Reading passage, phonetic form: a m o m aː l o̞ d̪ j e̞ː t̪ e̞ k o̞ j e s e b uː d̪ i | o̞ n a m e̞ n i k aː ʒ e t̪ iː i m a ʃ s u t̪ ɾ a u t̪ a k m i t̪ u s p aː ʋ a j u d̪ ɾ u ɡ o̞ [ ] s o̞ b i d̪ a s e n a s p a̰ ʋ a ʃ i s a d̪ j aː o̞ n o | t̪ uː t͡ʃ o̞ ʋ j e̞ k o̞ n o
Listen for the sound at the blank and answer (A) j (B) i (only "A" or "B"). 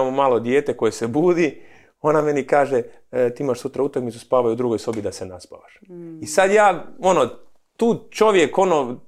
A